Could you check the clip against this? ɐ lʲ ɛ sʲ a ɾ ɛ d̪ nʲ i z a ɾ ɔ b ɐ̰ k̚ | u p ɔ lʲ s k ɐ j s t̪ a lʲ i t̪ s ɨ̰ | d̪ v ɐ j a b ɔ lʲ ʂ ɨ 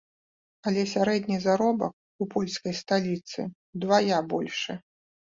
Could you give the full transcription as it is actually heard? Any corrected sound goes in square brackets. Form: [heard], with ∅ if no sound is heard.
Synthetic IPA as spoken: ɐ lʲ ɛ sʲ a ɾ ɛ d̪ nʲ i z a ɾ ɔ b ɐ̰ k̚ | u p ɔ lʲ s k ɐ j s t̪ a lʲ i t̪ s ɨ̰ | d̪ v [a] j a b ɔ lʲ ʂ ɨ